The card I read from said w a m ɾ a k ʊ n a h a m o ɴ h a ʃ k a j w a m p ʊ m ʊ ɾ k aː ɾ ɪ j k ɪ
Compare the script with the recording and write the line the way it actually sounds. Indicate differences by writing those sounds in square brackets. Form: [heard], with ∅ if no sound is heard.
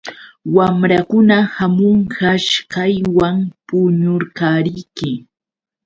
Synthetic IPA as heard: w a m ɾ a k ʊ n a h a m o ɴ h a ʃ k a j w a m p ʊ [ɲ] ʊ ɾ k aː ɾ ɪ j k ɪ